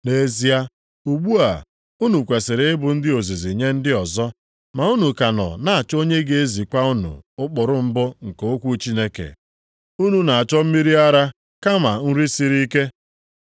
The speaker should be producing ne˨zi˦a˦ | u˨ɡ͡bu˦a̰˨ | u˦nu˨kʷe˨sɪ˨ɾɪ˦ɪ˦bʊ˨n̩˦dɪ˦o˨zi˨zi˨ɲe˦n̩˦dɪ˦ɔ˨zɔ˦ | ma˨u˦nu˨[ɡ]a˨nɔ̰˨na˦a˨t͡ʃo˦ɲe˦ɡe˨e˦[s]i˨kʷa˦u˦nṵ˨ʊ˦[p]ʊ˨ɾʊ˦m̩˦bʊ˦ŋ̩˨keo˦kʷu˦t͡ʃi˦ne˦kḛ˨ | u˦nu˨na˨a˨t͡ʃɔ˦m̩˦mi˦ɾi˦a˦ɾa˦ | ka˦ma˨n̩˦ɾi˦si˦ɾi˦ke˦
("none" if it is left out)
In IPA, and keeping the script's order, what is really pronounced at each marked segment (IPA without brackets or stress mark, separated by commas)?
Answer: k, z, k͡p